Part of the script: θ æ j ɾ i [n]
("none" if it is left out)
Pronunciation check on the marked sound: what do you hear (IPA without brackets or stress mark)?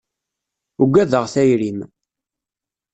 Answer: m